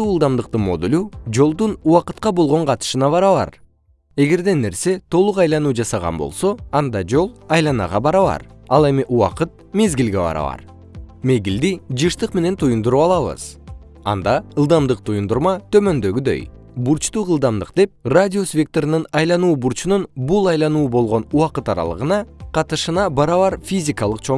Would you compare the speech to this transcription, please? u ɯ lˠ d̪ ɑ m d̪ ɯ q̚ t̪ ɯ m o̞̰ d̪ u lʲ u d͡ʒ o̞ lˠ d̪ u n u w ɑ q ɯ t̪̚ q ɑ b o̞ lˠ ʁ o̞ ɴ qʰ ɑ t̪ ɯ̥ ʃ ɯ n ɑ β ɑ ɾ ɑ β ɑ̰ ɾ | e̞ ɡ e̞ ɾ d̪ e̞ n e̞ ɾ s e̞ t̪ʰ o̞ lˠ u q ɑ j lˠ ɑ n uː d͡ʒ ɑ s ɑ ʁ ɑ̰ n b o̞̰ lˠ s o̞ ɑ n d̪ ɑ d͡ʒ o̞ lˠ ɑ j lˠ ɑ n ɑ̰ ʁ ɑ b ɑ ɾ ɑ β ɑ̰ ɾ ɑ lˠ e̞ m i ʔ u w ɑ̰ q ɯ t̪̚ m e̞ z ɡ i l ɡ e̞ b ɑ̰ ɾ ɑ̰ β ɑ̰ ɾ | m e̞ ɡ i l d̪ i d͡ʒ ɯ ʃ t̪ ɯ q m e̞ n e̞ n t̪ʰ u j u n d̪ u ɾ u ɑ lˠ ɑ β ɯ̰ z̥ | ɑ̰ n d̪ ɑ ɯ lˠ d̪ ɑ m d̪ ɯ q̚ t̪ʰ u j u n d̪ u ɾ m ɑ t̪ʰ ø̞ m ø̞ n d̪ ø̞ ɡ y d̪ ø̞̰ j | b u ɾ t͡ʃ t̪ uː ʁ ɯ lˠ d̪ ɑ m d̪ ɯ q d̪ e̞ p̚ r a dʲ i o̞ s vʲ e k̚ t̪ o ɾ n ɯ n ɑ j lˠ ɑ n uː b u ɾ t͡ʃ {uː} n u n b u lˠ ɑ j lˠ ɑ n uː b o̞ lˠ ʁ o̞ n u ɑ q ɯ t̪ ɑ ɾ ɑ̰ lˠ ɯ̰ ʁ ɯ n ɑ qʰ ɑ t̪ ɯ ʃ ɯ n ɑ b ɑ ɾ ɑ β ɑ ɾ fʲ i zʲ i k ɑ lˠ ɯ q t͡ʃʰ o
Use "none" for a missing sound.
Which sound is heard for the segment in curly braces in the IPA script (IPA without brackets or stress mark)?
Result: u